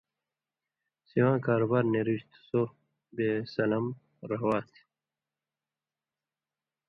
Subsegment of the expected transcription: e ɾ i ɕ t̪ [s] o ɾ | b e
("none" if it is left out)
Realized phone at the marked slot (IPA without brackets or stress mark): s